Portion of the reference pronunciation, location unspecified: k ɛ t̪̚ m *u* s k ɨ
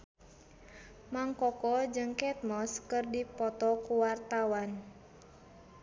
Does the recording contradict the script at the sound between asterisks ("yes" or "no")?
yes